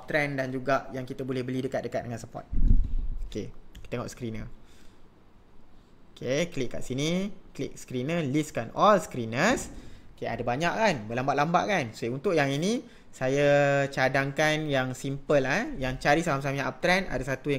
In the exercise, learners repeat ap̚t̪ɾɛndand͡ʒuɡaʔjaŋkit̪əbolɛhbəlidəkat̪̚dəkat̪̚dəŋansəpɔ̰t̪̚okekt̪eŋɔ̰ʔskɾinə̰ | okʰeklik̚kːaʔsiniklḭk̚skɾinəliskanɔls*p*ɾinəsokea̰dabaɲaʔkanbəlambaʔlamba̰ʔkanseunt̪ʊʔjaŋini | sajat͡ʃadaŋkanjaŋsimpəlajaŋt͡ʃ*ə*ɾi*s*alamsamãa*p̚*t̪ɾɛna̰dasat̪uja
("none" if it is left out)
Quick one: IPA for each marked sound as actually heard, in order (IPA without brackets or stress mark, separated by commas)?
k, a, s, p̚